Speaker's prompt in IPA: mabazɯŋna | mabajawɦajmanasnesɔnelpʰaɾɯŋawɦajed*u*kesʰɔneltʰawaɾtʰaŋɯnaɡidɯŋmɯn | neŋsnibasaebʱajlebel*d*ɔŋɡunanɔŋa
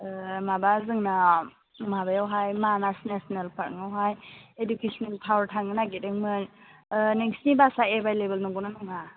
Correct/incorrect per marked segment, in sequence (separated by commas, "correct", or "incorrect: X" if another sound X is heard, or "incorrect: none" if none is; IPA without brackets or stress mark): correct, incorrect: n